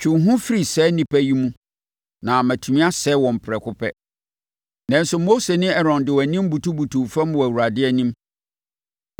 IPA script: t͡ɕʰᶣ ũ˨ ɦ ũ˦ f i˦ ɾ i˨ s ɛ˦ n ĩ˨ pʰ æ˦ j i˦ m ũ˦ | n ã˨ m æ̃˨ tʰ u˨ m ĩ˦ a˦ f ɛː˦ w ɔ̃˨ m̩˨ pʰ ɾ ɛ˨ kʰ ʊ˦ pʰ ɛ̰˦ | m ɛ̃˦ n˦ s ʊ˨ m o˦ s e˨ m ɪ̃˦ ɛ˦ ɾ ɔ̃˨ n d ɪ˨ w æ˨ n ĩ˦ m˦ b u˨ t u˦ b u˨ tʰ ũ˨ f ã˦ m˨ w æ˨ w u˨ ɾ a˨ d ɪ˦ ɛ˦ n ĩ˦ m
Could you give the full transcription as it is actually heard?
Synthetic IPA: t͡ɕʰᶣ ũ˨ ɦ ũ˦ f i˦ ɾ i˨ s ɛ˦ n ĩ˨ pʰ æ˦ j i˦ m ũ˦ | n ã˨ m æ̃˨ tʰ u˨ m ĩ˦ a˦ s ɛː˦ w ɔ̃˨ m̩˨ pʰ ɾ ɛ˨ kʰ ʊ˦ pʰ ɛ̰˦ | n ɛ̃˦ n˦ s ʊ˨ m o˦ s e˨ n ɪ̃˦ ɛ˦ ɾ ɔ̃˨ n d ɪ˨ w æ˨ n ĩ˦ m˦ b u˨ t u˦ b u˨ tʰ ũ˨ f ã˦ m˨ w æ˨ w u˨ ɾ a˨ d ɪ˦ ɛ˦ n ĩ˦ m